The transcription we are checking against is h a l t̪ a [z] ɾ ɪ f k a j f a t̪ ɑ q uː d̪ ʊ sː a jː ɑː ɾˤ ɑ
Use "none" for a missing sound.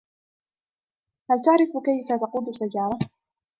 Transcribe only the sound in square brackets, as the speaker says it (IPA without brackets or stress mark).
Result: ʕ